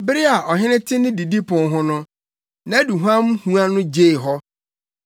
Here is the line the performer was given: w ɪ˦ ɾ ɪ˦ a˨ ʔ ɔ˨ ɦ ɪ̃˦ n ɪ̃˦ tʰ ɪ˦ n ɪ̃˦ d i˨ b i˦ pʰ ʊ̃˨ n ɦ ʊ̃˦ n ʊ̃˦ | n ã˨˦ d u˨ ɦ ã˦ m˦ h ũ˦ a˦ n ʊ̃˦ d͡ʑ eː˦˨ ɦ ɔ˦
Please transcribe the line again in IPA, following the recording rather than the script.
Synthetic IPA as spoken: b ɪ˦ ɾ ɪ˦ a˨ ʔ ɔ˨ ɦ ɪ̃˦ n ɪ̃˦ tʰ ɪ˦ n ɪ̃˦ d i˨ d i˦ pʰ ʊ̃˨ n ɦ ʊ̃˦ n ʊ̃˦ | n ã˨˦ d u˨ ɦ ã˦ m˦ h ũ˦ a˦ n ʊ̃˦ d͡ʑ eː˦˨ ɦ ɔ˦